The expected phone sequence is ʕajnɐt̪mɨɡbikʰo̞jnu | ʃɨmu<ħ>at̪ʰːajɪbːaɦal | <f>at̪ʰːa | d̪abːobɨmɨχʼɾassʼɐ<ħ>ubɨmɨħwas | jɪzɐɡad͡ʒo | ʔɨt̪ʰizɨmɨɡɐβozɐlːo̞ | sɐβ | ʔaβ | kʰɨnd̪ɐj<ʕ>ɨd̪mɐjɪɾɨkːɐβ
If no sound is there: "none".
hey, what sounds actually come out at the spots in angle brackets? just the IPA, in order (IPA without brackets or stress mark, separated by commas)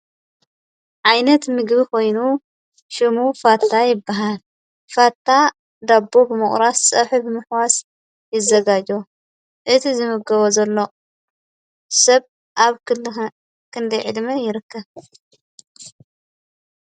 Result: f, f, ħ, ʕ